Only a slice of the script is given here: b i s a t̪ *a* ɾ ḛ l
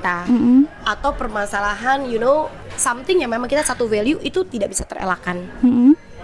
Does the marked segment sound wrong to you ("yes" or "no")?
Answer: yes